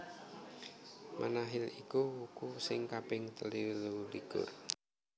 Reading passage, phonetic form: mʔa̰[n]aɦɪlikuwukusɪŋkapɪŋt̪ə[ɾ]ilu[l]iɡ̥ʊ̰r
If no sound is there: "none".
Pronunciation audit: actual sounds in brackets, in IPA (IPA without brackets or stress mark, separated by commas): n, l, l